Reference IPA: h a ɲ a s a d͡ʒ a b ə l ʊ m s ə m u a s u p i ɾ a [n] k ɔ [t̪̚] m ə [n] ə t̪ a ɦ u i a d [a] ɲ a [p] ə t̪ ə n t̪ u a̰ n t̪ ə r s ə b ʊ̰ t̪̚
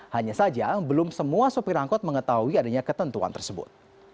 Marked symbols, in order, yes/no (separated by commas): no, yes, no, yes, no